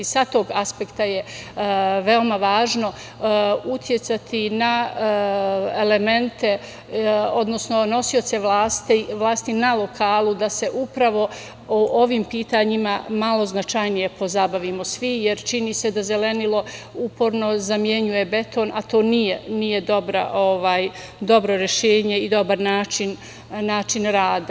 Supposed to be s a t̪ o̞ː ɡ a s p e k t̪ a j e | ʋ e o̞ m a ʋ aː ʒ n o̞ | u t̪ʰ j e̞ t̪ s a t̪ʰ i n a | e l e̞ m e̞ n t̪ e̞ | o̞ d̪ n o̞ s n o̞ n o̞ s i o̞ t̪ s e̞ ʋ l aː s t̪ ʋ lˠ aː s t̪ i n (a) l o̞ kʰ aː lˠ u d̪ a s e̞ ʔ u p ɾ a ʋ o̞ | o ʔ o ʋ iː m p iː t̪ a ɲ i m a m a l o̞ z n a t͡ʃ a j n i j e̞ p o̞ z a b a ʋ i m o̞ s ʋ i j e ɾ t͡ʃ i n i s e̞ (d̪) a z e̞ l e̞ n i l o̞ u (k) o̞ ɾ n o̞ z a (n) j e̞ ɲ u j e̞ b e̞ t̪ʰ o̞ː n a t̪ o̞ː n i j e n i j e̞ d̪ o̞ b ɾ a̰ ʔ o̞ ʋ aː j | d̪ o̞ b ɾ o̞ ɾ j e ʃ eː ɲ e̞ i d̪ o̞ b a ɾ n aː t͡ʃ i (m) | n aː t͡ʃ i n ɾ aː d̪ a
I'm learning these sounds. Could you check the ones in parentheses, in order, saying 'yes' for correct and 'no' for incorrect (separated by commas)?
yes, yes, no, no, no